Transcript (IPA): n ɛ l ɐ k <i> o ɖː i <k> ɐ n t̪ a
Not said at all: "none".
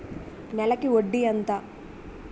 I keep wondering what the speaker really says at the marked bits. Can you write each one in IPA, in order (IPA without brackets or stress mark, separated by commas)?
i, none